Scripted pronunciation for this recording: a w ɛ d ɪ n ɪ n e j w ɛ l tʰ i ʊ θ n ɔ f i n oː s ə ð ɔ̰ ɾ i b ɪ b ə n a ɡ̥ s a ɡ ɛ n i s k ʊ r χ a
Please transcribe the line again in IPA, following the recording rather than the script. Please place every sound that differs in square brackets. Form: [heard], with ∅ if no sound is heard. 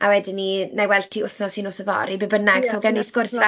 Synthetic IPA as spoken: a w ɛ d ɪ n [i] n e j w ɛ l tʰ i ʊ θ n ɔ [s] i n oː s ə [v] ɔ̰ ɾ i b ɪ b ə n a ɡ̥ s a ɡ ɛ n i s k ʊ r [s] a